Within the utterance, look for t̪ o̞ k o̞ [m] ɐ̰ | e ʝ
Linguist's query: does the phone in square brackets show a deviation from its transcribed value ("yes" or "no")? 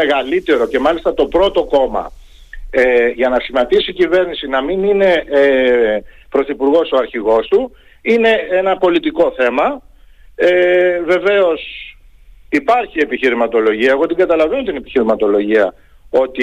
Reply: no